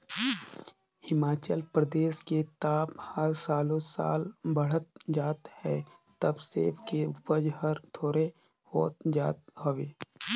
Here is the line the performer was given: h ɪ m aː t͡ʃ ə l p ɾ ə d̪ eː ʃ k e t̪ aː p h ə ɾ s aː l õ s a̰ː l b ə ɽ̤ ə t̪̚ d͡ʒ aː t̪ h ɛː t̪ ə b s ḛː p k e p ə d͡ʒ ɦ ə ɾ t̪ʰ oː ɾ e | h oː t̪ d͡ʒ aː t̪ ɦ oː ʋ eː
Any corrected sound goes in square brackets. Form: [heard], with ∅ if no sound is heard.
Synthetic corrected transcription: h ɪ m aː t͡ʃ ə l p ɾ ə d̪ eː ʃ k e t̪ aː p h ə ɾ s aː l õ s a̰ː l b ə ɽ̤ ə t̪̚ d͡ʒ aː t̪ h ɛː t̪ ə b s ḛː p k e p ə d͡ʒ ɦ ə ɾ t̪ʰ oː ɾ e | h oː t̪ d͡ʒ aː t̪ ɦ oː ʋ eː